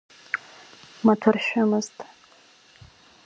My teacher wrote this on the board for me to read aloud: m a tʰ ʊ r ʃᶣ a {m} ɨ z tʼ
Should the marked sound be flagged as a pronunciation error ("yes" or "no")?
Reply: no